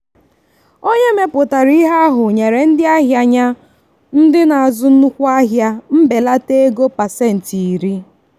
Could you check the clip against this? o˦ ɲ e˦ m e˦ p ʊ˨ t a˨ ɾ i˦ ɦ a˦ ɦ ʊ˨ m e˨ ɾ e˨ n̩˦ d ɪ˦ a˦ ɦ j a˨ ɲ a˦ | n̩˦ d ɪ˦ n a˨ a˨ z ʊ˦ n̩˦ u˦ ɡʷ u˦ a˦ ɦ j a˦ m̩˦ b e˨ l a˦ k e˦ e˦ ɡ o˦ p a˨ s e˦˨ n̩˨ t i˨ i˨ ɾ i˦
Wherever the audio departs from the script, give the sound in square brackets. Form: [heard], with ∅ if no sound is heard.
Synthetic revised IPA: o˦ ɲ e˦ m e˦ p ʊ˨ t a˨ ɾ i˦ ɦ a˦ ɦ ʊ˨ [ɲ] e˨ ɾ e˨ n̩˦ d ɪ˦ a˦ ɦ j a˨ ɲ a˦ | n̩˦ d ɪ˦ n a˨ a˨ z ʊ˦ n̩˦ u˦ [kʷ] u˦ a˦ ɦ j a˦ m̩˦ b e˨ l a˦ [t] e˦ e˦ ɡ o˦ p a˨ s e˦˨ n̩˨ t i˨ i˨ ɾ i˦